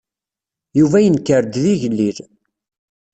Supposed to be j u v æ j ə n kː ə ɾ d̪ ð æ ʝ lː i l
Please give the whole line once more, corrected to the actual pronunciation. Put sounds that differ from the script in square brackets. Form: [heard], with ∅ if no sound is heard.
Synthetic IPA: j u v æ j ə n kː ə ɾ d̪ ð [i] ʝ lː i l